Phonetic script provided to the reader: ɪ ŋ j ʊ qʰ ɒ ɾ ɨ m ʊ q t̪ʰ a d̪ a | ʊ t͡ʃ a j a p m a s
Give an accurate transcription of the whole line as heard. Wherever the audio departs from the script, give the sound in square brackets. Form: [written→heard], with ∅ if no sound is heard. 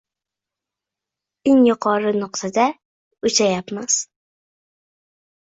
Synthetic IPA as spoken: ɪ ŋ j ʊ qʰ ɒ ɾ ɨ [m→n] ʊ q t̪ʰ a d̪ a | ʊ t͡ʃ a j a p m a s

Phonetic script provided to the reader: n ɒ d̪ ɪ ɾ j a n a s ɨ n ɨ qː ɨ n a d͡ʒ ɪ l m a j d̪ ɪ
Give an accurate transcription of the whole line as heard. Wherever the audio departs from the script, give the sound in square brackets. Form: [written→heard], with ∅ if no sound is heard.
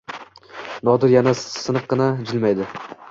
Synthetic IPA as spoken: n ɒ d̪ ɪ ɾ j a n a s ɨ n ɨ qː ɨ n a d͡ʒ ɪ l m a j d̪ ɪ

